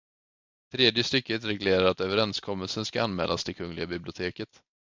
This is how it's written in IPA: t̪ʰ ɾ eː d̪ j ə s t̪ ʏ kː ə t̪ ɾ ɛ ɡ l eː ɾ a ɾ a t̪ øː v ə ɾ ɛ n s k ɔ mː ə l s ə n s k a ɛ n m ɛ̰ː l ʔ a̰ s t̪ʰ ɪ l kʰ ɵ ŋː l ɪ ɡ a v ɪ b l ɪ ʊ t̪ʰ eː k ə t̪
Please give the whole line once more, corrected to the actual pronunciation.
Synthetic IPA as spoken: t̪ʰ ɾ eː d̪ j ə s t̪ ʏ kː ə t̪ ɾ ɛ ɡ l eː ɾ a ɾ a t̪ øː v ə ɾ ɛ n s kʰ ɔ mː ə l s ə n s k a a n m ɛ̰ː l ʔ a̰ s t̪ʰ ɪ l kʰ ɵ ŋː l ɪ ɡ a b ɪ b l ɪ ʊ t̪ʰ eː k ə t̪